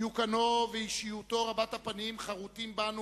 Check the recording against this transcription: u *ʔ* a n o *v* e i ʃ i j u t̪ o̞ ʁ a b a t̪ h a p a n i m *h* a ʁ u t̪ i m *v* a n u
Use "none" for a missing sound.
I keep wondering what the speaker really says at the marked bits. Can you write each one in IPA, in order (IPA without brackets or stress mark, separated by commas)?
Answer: k, v, χ, b